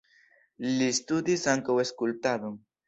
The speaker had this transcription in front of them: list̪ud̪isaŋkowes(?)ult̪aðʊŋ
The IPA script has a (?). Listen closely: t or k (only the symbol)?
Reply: k